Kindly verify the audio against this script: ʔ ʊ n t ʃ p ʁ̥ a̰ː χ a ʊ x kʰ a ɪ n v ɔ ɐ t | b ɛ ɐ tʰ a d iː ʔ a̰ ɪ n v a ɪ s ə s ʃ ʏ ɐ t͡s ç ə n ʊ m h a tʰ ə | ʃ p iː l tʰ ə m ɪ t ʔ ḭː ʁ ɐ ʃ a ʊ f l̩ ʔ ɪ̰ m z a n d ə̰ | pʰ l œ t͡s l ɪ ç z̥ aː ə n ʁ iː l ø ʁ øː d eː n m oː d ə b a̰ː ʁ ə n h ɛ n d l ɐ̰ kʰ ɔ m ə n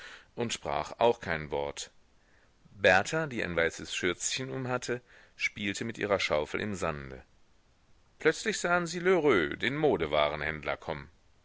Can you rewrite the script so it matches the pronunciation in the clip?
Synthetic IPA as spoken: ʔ ʊ n t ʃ p ʁ̥ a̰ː χ a ʊ x kʰ a ɪ n v ɔ ɐ t | b ɛ ɐ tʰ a d iː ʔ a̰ ɪ n v a ɪ s ə s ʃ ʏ ɐ t͡s ç ə n ʊ m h a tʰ ə | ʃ p iː l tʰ ə m ɪ t ʔ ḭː ʁ ɐ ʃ a ʊ f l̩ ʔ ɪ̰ m z a n d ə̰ | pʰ l œ t͡s l ɪ ç z̥ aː ə n z iː l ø ʁ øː d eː n m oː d ə v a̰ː ʁ ə n h ɛ n d l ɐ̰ kʰ ɔ m ə n